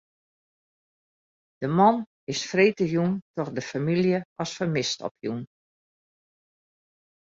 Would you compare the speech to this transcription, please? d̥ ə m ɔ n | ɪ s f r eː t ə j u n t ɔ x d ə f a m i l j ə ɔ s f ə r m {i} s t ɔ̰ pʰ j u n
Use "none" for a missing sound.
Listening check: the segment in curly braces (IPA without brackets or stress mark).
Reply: ɪ